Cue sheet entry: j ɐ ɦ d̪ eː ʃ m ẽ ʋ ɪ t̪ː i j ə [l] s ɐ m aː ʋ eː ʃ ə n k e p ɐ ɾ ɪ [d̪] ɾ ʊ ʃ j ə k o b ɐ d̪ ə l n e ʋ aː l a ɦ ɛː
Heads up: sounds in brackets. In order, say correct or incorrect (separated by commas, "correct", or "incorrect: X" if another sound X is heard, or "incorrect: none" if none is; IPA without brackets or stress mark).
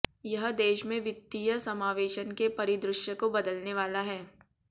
incorrect: none, correct